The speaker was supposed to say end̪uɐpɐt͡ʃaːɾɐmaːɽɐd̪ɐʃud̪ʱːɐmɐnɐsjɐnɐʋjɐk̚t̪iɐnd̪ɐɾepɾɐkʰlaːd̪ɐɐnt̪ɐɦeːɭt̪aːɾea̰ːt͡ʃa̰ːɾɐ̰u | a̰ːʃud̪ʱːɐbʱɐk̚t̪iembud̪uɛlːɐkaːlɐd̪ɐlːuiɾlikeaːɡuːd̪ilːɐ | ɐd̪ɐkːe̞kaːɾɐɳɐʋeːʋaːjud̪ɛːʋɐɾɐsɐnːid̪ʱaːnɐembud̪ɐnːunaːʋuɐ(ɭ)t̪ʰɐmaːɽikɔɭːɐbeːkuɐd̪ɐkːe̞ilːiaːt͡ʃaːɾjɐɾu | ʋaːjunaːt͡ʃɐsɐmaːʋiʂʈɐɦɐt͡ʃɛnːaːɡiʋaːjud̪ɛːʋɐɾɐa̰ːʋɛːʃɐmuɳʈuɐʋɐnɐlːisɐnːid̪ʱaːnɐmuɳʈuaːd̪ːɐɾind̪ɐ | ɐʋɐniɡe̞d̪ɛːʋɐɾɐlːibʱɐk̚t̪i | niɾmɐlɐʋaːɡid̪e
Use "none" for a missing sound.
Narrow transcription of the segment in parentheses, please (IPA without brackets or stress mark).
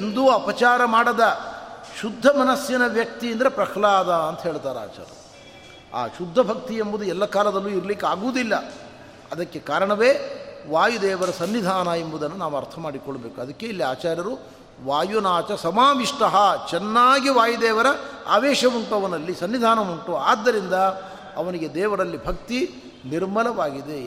ɾ